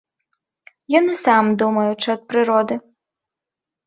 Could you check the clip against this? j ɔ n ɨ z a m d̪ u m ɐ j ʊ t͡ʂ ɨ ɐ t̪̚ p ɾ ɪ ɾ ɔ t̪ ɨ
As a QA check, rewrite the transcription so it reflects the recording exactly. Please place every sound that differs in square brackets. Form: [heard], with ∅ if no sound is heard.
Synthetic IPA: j ɔ n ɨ [s] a m d̪ u m ɐ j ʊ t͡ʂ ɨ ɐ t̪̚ p ɾ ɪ ɾ ɔ [d̪] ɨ